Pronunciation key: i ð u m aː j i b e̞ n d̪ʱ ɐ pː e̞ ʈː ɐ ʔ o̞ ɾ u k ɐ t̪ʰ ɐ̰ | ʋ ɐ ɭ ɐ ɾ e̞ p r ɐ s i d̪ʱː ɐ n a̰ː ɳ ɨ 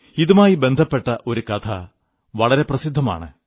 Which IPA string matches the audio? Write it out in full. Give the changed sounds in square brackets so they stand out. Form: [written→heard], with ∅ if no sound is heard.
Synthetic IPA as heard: i ð u m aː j i b e̞ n d̪ʱ ɐ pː e̞ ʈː ɐ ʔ o̞ ɾ u k ɐ t̪ʰ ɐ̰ | ʋ ɐ ɭ ɐ ɾ e̞ p r ɐ s i d̪ʱː ɐ [n→m] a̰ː ɳ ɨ